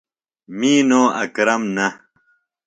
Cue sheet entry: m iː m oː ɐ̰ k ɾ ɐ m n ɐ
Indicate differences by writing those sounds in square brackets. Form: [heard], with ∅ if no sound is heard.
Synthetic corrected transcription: m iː [n] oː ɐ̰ k ɾ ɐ m n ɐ

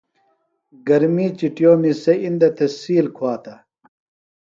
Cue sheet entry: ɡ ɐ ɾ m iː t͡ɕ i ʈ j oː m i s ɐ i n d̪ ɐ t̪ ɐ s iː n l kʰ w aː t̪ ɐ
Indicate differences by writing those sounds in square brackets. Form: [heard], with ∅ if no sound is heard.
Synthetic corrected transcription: ɡ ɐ ɾ m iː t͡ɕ i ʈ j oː m i s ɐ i n d̪ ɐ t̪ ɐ s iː [∅] l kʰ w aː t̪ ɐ

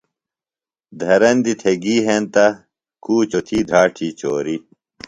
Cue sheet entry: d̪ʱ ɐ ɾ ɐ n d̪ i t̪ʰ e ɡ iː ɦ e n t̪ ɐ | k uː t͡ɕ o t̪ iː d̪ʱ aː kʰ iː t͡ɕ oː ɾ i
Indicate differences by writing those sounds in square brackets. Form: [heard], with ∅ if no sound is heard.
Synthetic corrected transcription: d̪ʱ ɐ ɾ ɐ n d̪ i t̪ʰ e ɡ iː ɦ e n t̪ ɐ | k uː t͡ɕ o [t̪ʰ] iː d̪ʱ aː [ʈʰ] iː t͡ɕ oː ɾ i

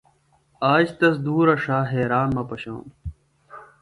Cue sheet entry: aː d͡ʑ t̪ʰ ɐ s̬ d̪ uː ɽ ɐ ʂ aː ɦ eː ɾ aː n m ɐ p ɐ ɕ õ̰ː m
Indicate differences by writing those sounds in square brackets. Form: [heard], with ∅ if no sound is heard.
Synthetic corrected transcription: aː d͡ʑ [t̪] ɐ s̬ d̪ uː [ɾ] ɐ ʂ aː ɦ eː ɾ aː n m ɐ p ɐ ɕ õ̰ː m

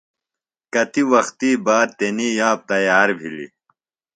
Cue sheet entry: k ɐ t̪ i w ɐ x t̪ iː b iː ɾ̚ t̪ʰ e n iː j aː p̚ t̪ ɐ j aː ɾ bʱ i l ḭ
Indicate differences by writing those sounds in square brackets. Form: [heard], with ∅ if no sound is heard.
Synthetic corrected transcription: k ɐ t̪ i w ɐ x t̪ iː b [aː] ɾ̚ [t̪] e n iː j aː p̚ t̪ ɐ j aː ɾ bʱ i l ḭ

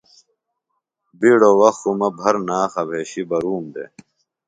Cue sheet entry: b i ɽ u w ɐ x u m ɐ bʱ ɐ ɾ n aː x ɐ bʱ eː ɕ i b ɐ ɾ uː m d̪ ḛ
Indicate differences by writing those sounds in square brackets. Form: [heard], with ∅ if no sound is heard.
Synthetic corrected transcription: b i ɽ [o] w ɐ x u m ɐ bʱ ɐ ɾ n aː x ɐ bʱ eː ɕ i b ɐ ɾ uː m d̪ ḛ

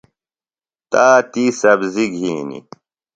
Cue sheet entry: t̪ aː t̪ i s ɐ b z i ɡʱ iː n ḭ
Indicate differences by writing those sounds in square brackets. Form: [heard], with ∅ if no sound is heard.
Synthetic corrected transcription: t̪ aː t̪ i s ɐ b z i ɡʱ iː n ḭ

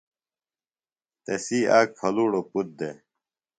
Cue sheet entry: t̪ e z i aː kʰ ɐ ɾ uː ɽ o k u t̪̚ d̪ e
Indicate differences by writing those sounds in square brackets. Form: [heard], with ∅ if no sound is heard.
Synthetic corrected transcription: t̪ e [s] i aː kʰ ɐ [l] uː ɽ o [p] u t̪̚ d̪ e

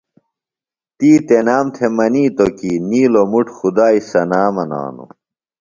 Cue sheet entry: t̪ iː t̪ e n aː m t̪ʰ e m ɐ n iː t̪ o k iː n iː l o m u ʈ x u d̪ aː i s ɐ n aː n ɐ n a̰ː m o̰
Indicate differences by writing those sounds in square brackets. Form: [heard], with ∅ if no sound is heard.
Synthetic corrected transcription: t̪ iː t̪ e n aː m t̪ʰ e m ɐ n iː t̪ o k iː n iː l o m u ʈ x u d̪ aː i s ɐ n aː [m] ɐ n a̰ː [n] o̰

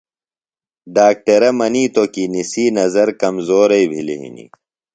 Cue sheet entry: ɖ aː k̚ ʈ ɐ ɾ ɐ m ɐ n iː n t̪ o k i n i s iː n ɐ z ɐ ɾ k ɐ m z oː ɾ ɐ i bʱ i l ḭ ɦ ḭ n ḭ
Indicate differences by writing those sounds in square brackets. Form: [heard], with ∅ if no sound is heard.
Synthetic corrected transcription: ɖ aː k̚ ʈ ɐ ɾ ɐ m ɐ n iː [∅] t̪ o k i n i s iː n ɐ z ɐ ɾ k ɐ m z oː ɾ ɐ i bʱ i l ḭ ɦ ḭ n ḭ

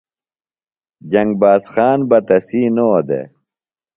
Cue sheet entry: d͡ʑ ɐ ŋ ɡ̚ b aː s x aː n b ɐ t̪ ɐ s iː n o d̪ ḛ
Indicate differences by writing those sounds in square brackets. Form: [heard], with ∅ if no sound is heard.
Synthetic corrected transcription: d͡ʑ ɐ ŋ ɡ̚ b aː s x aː n b ɐ t̪ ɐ s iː n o d̪ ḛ

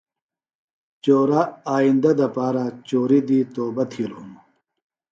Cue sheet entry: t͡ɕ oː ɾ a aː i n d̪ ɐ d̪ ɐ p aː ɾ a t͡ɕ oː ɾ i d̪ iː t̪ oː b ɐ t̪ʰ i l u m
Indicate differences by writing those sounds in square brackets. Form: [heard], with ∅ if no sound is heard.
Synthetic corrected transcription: t͡ɕ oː ɾ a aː i n d̪ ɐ d̪ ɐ p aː ɾ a t͡ɕ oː ɾ i d̪ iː t̪ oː b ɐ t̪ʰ i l u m

